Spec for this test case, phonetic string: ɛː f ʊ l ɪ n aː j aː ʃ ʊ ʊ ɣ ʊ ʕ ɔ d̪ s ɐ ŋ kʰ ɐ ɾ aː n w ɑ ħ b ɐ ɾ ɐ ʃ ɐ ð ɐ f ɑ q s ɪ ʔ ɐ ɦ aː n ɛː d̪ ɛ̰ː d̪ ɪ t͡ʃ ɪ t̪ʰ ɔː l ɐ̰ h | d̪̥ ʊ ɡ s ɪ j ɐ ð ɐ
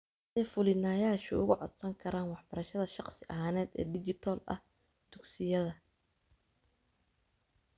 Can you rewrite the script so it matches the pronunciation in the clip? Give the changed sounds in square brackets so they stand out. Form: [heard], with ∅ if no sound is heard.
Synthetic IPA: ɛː f ʊ l ɪ n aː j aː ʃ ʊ ʊ ɣ ʊ ʕ ɔ d̪ s ɐ ŋ kʰ ɐ ɾ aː n w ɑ ħ b ɐ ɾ ɐ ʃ ɐ ð ɐ [ʃ] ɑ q s ɪ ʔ ɐ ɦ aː n ɛː d̪ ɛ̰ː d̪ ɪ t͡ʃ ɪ t̪ʰ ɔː l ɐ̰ h | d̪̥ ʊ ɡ s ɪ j ɐ ð ɐ